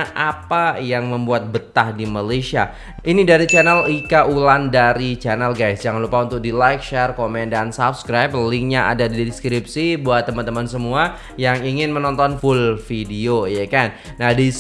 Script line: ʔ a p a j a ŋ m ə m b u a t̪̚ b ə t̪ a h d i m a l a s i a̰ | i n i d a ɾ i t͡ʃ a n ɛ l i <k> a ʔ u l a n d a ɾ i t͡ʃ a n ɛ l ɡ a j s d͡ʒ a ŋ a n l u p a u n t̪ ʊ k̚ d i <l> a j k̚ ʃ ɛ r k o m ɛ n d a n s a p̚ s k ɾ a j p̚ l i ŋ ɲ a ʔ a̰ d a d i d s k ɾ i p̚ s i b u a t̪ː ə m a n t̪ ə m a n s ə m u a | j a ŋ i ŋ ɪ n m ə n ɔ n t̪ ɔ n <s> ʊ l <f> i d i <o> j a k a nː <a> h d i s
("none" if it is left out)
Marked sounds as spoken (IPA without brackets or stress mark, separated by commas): k, l, f, f, o, a